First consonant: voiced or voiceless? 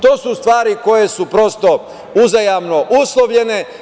voiceless